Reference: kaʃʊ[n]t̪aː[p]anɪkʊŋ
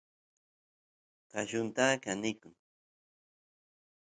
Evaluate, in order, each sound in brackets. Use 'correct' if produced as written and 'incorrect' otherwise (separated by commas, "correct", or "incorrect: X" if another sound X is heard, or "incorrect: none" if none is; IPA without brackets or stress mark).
correct, incorrect: k